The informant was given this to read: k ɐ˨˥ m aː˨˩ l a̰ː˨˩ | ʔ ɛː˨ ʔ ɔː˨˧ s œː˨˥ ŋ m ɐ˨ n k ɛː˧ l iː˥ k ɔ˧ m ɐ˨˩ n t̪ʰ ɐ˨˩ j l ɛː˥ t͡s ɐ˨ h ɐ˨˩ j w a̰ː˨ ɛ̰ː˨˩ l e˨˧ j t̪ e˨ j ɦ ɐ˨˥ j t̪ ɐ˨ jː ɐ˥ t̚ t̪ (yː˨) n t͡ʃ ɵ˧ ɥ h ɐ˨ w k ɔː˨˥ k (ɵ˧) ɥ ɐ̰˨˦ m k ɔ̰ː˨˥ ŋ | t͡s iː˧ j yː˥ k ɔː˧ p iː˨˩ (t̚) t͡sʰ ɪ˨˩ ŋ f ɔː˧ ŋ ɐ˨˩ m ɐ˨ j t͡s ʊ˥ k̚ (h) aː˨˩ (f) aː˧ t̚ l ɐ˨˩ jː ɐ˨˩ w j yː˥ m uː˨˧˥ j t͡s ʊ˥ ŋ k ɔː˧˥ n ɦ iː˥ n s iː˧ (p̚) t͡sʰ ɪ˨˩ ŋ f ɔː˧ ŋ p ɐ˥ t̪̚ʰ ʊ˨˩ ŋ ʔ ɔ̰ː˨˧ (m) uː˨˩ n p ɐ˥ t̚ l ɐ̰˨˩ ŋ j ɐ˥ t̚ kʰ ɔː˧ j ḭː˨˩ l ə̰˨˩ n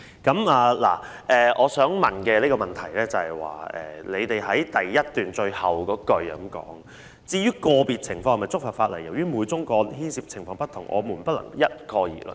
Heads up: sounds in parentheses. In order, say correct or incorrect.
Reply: correct, correct, correct, incorrect: f, correct, correct, correct

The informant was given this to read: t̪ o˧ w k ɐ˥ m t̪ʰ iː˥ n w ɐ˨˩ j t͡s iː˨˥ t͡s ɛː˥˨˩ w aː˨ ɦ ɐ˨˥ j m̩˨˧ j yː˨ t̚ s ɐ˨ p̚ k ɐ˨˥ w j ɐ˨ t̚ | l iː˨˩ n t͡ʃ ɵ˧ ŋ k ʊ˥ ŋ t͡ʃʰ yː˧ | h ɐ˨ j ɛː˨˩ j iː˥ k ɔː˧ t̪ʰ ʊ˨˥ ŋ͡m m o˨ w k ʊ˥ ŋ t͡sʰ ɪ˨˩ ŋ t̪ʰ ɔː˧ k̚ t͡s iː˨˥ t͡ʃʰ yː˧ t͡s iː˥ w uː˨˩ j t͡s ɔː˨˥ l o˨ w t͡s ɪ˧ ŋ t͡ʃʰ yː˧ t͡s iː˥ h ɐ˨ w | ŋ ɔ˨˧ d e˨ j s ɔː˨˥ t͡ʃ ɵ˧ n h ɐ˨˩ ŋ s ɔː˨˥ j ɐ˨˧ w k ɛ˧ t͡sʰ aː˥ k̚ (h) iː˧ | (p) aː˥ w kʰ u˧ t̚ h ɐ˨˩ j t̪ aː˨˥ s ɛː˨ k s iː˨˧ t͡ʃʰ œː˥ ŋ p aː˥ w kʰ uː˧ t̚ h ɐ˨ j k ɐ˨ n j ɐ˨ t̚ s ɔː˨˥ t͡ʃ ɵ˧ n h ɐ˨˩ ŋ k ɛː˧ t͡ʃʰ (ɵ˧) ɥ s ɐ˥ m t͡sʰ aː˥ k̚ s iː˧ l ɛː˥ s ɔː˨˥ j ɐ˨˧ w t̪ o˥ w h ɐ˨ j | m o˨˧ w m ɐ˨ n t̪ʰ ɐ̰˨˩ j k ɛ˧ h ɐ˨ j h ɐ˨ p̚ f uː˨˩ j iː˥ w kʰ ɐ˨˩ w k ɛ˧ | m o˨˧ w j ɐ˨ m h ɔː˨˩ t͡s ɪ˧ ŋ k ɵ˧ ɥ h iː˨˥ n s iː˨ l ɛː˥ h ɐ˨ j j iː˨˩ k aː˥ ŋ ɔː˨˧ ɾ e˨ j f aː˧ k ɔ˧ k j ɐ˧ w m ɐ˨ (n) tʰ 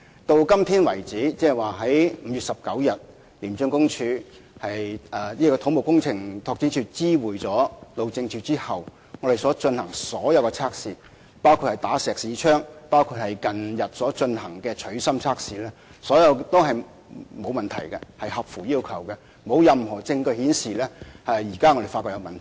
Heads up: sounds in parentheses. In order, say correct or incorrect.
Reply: incorrect: s, correct, incorrect: ɵ˨˥, correct

